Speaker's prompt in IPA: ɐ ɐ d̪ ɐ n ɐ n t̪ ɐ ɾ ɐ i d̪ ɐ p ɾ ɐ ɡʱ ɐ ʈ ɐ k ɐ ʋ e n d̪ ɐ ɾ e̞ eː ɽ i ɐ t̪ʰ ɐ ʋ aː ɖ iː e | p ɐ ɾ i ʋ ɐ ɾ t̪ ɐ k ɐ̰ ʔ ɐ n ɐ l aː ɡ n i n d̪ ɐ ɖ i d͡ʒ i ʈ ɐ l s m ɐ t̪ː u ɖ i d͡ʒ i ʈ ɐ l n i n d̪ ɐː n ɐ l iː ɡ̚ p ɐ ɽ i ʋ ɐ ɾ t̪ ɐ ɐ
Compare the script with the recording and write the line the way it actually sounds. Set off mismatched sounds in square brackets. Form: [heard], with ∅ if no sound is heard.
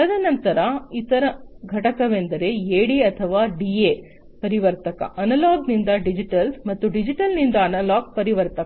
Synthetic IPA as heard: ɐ ɐ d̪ ɐ n ɐ n t̪ ɐ ɾ ɐ i [t̪] ɐ [∅] ɾ ɐ ɡʱ ɐ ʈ ɐ k ɐ ʋ e n d̪ ɐ ɾ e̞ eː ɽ i ɐ t̪ʰ ɐ ʋ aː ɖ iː e | p ɐ ɾ i ʋ ɐ ɾ t̪ ɐ k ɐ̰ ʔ ɐ n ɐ l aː ɡ n i n d̪ ɐ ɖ i d͡ʒ i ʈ ɐ l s m ɐ t̪ː u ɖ i d͡ʒ i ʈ ɐ l n i n d̪ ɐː n ɐ l [aː] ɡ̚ p ɐ [ɾ] i ʋ ɐ ɾ t̪ ɐ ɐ